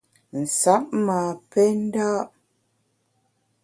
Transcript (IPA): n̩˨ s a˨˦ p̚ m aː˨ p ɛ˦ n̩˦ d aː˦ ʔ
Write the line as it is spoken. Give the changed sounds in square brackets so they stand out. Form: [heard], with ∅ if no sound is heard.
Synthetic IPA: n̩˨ s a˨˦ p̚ m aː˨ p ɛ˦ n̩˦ d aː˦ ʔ